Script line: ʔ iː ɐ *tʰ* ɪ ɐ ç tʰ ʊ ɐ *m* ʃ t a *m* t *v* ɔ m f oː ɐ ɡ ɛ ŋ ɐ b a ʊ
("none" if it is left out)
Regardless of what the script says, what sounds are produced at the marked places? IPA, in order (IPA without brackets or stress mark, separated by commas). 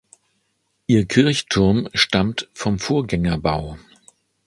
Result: kʰ, m, m, f